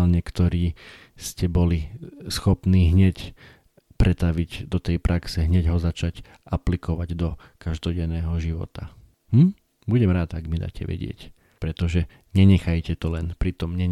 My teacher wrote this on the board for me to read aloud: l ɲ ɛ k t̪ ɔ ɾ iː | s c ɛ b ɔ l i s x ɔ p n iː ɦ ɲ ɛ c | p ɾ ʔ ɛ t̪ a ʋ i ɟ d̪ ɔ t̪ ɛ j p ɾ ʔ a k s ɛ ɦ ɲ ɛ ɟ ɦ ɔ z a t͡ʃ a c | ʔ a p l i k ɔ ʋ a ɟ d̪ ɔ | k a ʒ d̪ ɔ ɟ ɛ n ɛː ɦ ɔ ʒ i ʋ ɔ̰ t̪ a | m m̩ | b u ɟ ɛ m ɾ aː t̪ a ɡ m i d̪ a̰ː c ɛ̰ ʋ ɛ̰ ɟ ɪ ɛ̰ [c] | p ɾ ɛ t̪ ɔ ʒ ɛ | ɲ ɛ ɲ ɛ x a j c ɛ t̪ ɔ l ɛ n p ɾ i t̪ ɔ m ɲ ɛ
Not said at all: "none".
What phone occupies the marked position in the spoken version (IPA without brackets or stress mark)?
c